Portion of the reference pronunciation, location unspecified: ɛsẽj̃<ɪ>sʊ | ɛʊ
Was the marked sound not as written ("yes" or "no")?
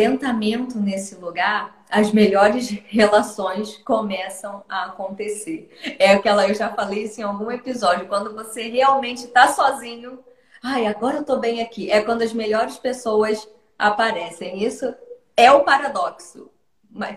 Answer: yes